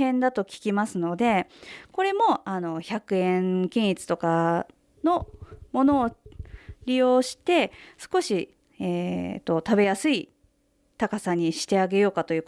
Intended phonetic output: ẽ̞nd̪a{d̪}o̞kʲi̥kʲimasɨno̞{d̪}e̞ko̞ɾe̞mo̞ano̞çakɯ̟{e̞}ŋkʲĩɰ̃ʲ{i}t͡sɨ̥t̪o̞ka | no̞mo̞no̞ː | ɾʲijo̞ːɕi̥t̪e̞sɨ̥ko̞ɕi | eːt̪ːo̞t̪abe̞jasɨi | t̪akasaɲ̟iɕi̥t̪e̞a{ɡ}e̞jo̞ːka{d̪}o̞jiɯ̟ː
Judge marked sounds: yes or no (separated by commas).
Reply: no, yes, no, yes, yes, no